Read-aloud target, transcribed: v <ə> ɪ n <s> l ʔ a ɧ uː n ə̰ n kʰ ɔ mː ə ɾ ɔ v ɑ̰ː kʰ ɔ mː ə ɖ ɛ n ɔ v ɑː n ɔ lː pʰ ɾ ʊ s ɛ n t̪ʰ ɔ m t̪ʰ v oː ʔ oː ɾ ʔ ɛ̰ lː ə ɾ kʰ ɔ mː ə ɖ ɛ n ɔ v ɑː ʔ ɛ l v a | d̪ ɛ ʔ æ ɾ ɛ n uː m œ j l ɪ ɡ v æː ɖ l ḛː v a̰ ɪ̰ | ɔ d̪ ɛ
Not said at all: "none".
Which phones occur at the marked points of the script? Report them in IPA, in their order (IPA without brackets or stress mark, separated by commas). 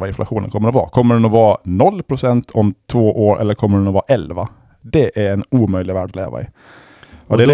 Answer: a, f